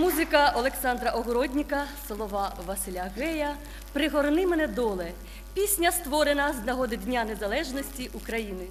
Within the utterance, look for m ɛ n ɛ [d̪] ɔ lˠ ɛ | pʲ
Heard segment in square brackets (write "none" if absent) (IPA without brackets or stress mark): d̪